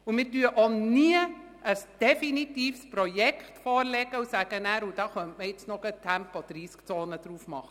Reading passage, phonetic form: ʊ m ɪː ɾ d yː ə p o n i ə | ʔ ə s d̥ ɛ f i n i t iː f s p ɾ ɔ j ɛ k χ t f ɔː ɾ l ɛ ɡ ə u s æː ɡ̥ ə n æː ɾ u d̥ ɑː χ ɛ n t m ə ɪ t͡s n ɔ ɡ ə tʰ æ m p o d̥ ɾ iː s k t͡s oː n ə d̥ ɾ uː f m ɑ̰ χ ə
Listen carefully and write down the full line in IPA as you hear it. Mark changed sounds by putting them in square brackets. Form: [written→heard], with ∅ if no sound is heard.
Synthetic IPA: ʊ m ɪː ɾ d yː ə [p→ʔ] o n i ə | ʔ ə s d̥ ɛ f i n i t iː f s p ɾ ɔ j ɛ k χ t f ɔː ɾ l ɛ ɡ ə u s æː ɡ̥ ə n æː ɾ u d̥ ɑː χ [ɛ→œ] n t m ə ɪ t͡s n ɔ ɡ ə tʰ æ m p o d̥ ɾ iː s k t͡s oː n ə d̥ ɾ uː f m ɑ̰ χ ə

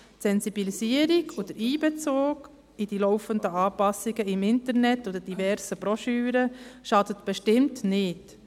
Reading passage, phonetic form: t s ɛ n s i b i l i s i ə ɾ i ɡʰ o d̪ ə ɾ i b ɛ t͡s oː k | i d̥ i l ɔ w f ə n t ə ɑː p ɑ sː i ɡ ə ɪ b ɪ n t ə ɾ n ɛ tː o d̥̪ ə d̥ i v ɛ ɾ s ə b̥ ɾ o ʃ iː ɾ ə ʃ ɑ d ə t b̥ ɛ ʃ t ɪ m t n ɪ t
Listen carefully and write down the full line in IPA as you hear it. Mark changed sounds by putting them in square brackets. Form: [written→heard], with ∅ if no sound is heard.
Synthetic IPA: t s ɛ n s i b i l i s i ə ɾ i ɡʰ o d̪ ə ɾ [i→iː] b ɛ t͡s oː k | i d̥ i l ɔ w f ə n [t→d] ə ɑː p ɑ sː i ɡ ə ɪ [b→m] ɪ n t ə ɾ n ɛ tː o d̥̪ ə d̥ i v ɛ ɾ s ə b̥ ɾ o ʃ [iː→yː] ɾ ə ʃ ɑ d ə t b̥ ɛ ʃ t ɪ m t n ɪ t

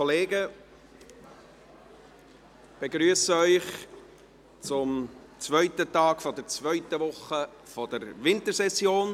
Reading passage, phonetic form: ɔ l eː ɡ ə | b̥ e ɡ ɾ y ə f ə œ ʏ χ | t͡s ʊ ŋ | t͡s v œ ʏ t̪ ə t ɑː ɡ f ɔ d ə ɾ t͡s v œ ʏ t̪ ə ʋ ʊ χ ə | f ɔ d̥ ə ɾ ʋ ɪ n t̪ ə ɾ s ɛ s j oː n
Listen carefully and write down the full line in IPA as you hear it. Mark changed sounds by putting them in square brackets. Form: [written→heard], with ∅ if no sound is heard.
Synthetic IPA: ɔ l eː ɡ ə | b̥ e ɡ ɾ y ə [f→s] ə œ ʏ χ | t͡s ʊ [ŋ→m] | t͡s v œ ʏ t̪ ə t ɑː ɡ f ɔ d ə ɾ t͡s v œ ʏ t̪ ə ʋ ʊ χ ə | f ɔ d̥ ə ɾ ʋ ɪ n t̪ ə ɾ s ɛ s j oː n

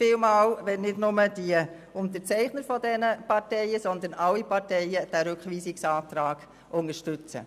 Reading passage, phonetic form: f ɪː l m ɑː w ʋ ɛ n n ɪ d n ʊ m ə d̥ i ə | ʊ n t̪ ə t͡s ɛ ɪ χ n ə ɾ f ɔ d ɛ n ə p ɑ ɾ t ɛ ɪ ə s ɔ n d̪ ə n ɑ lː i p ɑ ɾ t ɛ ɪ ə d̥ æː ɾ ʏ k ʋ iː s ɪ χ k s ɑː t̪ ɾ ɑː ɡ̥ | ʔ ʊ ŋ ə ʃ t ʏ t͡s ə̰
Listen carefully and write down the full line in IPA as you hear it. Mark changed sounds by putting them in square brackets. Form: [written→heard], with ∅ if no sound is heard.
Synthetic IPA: f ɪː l m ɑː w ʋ ɛ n n ɪ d n ʊ m ə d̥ i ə | ʊ n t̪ ə t͡s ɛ ɪ χ n ə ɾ f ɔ d ɛ n ə p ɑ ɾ t ɛ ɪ ə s ɔ n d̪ ə n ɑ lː i p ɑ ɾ t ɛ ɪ ə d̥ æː ɾ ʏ k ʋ iː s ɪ [χ→∅] k s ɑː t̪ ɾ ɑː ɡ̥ | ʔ ʊ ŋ ə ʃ t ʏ t͡s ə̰

